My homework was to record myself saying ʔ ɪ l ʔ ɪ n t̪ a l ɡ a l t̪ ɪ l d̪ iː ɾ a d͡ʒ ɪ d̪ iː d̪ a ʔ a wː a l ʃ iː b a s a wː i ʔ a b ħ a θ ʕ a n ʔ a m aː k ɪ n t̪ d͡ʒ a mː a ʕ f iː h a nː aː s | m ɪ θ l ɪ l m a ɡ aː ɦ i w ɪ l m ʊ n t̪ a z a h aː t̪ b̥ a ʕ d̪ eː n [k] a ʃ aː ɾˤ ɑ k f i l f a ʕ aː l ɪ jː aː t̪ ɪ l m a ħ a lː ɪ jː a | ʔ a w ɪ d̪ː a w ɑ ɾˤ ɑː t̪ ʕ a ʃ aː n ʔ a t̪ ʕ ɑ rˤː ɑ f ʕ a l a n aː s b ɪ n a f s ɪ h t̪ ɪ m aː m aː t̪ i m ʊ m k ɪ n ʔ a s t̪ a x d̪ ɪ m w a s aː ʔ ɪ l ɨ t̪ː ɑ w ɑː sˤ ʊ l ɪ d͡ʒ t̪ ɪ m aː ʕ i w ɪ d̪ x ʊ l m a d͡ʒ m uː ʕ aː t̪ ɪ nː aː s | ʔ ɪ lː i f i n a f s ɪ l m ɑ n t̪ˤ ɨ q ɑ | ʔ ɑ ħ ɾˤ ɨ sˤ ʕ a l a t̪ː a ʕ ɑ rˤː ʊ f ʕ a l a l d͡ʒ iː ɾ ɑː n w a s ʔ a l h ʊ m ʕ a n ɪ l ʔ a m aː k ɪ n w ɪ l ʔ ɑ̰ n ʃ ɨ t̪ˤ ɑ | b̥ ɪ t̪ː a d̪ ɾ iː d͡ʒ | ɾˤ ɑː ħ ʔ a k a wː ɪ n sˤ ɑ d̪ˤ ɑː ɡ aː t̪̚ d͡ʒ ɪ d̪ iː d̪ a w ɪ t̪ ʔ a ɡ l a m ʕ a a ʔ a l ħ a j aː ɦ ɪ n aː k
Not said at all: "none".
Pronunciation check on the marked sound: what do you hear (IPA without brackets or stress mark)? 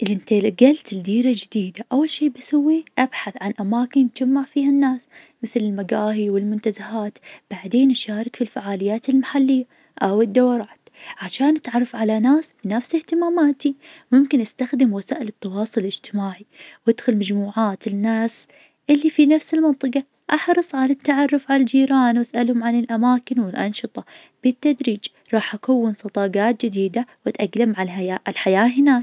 ʔ